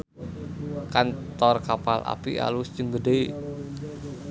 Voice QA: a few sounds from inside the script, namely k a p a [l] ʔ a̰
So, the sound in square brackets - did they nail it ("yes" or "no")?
yes